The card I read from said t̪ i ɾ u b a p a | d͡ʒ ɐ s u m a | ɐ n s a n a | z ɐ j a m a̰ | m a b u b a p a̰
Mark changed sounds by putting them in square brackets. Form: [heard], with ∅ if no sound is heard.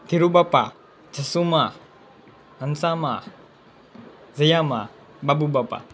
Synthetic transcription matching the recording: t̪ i ɾ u b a p a | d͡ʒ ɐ s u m a | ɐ n s a [m] a | z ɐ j a m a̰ | [b] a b u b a p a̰